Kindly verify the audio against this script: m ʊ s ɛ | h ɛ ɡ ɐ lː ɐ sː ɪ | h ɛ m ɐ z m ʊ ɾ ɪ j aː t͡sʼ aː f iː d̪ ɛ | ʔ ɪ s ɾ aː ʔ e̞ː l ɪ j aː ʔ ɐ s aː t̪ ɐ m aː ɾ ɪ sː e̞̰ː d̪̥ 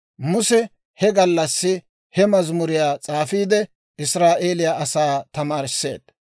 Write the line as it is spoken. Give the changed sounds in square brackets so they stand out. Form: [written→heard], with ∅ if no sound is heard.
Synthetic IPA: m ʊ s ɛ | h ɛ ɡ ɐ lː ɐ sː ɪ | h ɛ m ɐ z m ʊ ɾ ɪ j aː t͡sʼ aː f iː d̪ ɛ | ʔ ɪ s ɾ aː ʔ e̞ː l ɪ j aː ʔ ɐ s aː t̪ ɐ m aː ɾ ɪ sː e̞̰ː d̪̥